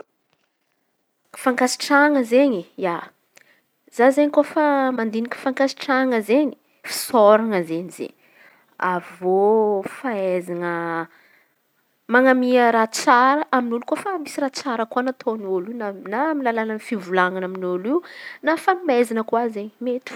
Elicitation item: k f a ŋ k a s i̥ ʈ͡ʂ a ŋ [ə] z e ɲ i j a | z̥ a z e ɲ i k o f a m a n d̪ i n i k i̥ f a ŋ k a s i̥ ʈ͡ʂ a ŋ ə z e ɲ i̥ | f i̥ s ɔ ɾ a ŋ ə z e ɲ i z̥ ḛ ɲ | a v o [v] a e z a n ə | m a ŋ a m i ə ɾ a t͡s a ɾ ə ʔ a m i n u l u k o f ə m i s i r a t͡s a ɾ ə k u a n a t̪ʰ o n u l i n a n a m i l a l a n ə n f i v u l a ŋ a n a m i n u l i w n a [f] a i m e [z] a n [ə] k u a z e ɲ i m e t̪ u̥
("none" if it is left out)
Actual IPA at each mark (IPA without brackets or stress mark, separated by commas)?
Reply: ə, f, f, z, ə